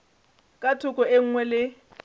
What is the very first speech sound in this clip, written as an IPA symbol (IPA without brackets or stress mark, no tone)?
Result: kʼ